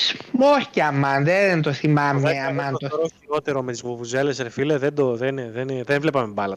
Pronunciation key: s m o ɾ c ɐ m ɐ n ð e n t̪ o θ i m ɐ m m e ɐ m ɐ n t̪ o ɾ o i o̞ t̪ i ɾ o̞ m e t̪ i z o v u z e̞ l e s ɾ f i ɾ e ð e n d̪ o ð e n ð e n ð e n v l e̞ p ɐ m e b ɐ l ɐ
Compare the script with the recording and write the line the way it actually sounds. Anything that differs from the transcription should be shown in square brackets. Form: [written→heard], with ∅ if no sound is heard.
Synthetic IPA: s m o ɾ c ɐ m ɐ n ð e n t̪ o θ i m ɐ m m e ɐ m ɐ n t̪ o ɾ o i o̞ t̪ [i→e] ɾ o̞ m e t̪ i z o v u z e̞ l e s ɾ f i [ɾ→l] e ð e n d̪ o ð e n ð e n ð e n v l e̞ p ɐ m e b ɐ l ɐ